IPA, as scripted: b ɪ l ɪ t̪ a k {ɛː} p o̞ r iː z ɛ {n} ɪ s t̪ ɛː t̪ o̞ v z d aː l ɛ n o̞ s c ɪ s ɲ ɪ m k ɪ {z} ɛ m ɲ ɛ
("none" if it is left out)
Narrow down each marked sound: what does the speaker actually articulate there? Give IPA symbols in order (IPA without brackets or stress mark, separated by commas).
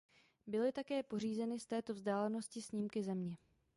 ɛː, n, z